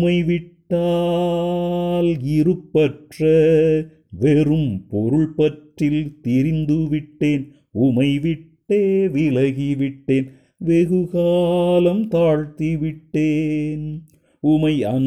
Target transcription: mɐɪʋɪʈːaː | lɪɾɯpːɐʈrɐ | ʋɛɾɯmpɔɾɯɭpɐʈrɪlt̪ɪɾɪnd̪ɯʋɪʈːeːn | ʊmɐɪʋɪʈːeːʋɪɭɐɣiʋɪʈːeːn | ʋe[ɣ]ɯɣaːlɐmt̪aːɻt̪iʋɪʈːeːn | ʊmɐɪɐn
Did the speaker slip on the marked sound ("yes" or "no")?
no